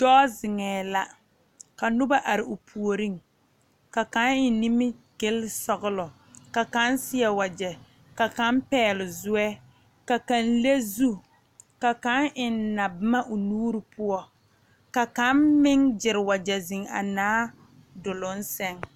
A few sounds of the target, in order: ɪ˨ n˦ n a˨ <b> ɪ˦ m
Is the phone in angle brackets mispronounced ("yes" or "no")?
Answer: no